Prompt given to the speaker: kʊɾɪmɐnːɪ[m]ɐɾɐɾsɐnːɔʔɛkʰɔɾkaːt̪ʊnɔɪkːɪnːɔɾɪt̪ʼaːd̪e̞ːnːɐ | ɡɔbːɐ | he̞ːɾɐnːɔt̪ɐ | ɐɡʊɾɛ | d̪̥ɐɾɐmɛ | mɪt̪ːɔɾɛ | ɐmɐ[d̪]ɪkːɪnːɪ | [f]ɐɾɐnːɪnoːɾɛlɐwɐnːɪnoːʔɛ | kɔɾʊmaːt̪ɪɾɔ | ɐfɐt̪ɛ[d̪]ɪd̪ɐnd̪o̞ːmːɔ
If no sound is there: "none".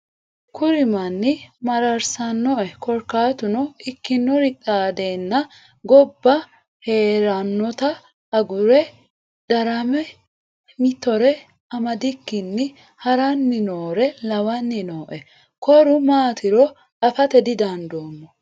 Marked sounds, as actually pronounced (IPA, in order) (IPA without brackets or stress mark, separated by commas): m, d̪, h, d̪